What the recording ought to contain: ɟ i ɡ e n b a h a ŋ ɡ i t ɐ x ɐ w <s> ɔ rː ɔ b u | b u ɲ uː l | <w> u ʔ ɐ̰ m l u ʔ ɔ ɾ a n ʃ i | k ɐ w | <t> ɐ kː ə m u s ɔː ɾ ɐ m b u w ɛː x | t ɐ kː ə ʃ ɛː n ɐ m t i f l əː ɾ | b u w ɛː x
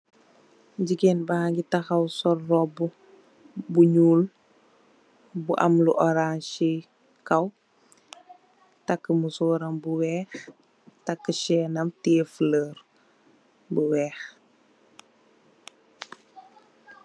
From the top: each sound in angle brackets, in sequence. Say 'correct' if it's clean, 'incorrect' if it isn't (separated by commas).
correct, incorrect, correct